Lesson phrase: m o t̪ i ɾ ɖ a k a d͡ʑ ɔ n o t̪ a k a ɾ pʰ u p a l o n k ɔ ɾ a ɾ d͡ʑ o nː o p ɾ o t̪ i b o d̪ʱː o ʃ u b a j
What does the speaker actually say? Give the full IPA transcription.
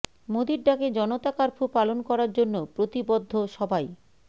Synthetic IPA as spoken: m o d̪ i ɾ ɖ a k e d͡ʑ ɔ n o t̪ a k a ɾ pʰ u p a l o n k ɔ ɾ a ɾ d͡ʑ o nː o p ɾ o t̪ i b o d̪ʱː o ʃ ɔ b a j